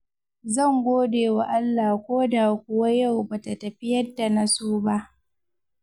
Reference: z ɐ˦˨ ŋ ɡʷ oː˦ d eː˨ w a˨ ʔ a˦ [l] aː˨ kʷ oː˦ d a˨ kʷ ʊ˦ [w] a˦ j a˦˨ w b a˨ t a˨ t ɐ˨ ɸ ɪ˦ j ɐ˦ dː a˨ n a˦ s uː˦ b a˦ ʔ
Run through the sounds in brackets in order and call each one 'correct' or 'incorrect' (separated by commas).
incorrect, correct